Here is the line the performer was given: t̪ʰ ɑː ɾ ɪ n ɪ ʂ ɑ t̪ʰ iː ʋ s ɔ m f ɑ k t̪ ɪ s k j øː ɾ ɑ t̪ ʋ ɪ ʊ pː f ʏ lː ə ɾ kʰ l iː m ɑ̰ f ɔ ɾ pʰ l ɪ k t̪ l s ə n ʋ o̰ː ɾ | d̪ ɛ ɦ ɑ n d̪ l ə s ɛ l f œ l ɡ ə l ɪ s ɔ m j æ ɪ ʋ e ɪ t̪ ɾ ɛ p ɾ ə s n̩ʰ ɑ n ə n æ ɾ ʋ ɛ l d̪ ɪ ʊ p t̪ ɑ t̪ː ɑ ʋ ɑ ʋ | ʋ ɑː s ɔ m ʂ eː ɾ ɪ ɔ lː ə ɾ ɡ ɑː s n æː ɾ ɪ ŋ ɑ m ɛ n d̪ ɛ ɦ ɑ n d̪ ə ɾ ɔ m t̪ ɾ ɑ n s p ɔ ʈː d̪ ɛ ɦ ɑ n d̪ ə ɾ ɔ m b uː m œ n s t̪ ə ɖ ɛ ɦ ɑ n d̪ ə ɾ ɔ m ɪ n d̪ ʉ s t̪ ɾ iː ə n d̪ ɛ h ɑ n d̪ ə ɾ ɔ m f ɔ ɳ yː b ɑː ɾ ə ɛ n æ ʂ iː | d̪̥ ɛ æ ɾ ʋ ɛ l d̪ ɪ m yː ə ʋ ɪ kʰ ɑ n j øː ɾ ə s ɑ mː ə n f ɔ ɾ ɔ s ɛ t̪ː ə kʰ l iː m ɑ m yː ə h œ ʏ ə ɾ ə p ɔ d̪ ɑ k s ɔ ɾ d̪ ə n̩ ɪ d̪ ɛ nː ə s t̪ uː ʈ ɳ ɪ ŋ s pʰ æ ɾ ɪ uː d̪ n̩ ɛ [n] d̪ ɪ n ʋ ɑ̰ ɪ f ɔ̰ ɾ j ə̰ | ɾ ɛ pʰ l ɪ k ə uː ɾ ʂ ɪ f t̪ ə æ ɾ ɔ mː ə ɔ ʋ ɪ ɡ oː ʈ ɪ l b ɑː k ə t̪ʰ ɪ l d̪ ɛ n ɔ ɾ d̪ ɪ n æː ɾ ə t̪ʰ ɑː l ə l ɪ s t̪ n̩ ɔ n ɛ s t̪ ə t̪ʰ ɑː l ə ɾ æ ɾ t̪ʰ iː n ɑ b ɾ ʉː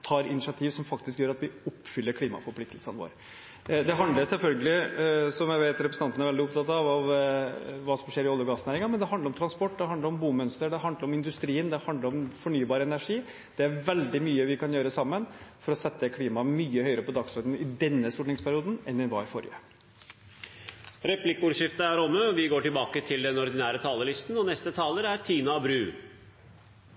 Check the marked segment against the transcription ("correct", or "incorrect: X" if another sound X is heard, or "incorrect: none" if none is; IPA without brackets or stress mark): correct